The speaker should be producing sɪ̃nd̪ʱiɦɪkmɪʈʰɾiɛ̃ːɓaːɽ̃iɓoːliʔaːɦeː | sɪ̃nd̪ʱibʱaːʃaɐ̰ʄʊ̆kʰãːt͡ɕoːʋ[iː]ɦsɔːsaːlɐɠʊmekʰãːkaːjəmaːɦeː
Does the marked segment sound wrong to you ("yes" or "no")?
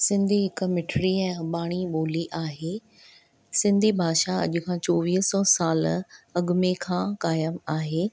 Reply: no